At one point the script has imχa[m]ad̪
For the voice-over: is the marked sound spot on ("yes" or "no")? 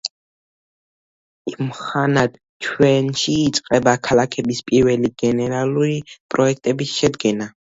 no